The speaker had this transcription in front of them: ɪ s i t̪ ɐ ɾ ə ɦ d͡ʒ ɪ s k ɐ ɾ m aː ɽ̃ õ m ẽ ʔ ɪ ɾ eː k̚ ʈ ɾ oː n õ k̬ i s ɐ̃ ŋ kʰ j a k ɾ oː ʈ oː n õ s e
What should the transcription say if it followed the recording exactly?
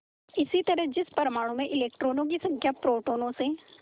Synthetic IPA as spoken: ɪ s i t̪ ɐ ɾ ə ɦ d͡ʒ ɪ s p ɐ ɾ m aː ɽ̃ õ m ẽ ʔ ɪ l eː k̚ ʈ ɾ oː n õ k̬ i s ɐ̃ ŋ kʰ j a p ɾ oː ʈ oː n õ s e